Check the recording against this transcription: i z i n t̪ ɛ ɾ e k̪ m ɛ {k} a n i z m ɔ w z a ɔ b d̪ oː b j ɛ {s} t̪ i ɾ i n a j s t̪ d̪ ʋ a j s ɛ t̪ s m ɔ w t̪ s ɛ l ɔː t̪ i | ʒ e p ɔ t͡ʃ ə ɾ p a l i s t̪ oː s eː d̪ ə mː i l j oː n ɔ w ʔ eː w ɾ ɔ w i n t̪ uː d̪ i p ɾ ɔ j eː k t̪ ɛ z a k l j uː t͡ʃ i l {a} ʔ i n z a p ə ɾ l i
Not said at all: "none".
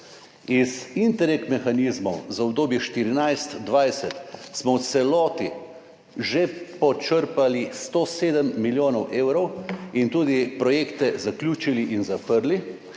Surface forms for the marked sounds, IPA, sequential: x, ʃ, i

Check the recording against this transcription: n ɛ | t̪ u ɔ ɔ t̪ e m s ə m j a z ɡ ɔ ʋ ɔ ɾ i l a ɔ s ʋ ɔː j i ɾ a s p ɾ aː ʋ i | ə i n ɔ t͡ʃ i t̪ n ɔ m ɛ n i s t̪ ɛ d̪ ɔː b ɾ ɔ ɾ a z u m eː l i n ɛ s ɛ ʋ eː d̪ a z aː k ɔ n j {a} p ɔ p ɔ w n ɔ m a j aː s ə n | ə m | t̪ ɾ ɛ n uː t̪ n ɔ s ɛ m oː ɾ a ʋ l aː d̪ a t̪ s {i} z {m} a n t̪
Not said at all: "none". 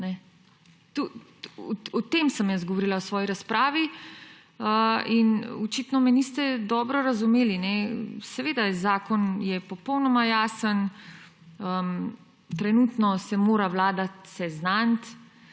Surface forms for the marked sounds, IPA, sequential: ɛ, ɛ, n

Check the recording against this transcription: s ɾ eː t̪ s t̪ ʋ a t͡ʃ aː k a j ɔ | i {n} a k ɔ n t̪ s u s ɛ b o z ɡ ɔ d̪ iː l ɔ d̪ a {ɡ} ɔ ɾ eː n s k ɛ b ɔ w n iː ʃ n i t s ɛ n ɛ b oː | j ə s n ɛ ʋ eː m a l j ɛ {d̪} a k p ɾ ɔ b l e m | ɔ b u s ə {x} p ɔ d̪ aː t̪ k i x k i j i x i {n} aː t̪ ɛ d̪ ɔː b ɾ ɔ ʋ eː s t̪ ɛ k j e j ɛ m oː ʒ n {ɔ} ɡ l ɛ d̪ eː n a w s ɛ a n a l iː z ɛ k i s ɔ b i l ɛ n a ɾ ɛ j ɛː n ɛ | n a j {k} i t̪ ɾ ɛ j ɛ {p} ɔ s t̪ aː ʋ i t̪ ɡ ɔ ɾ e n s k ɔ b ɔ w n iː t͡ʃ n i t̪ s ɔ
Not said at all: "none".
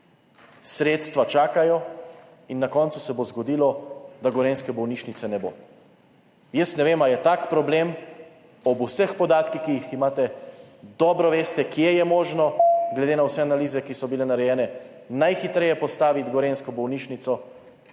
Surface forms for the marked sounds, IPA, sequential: nː, ɡ, t̪, x, m, ɔ, x, p

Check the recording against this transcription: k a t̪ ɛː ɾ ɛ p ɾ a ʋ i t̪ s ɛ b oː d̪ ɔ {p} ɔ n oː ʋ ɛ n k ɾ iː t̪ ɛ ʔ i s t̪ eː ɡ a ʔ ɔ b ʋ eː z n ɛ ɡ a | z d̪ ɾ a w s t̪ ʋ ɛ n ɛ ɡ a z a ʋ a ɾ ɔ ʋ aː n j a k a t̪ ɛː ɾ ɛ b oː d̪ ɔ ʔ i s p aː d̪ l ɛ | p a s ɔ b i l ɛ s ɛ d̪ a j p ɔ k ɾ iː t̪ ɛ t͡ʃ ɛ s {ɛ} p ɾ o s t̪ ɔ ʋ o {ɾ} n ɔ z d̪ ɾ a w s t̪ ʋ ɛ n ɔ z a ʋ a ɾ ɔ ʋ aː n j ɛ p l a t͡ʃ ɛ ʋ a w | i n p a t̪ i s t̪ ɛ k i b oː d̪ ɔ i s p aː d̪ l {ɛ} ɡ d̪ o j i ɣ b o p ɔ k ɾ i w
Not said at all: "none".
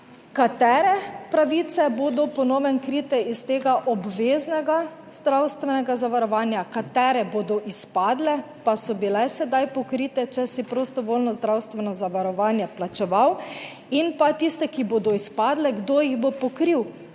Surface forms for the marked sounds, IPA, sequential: p, i, l, ɛ

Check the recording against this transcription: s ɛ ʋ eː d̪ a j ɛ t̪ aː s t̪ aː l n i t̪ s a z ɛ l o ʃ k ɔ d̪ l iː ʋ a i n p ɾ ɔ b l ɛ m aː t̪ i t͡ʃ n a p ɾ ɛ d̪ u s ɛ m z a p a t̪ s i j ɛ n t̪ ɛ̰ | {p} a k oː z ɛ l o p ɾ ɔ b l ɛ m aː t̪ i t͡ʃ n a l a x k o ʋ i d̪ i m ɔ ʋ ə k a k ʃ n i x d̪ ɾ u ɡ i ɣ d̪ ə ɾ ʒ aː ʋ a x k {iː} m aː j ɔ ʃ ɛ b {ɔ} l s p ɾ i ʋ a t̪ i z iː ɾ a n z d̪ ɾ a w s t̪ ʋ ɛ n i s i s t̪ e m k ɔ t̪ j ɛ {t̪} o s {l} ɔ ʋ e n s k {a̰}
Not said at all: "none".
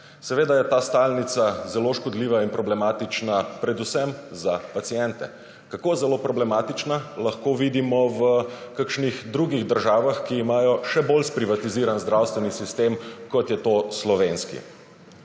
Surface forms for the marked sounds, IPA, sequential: k, iː, o, t̪, l, ḭ

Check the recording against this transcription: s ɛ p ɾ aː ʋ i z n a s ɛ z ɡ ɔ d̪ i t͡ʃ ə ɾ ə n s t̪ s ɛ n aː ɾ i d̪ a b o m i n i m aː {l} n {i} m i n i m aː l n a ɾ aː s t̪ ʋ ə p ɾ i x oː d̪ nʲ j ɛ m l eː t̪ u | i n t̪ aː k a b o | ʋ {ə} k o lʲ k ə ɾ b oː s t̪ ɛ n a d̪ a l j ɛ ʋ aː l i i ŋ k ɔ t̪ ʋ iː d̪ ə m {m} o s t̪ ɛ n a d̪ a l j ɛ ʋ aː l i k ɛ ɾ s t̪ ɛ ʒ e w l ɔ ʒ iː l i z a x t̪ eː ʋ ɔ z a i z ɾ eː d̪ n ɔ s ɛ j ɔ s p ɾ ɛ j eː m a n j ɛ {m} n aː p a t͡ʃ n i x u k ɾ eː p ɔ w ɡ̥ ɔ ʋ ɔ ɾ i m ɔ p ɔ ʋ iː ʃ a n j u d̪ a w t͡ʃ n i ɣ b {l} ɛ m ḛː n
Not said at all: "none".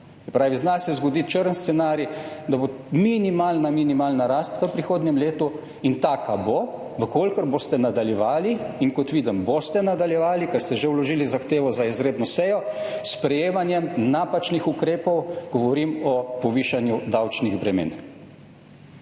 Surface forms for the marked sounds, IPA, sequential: l, a, ə, b, m, ɾ

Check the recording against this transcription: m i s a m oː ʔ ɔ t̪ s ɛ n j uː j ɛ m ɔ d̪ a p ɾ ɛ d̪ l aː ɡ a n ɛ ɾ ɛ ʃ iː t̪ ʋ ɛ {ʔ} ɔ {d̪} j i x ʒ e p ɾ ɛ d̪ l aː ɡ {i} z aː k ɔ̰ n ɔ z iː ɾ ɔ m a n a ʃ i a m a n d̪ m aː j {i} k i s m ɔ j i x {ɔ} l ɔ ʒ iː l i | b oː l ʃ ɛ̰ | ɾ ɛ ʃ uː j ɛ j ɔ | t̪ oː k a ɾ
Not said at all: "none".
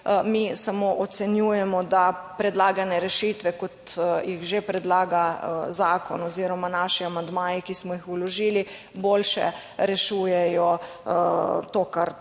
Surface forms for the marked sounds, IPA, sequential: k, t̪, a, i, u

